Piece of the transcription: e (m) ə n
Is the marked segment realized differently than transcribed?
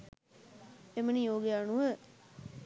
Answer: no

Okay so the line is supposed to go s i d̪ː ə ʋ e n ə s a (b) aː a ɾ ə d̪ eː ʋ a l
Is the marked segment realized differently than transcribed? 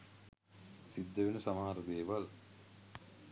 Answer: yes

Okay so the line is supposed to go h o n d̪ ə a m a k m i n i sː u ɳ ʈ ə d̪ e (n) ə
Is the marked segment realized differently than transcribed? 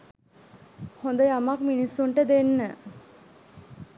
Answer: yes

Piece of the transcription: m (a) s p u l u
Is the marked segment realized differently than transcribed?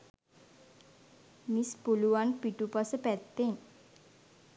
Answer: yes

